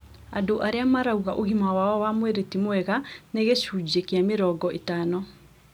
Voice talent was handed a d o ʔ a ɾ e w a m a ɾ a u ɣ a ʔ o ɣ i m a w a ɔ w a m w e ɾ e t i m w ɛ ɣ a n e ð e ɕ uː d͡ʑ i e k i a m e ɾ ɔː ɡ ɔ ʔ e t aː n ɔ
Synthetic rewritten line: a d o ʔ a ɾ e a m a ɾ a u ɣ a ʔ o ɣ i m a w a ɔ w a m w e ɾ e t i m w ɛ ɣ a n e ɣ e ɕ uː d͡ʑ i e k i a m e ɾ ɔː ɡ ɔ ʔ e t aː n ɔ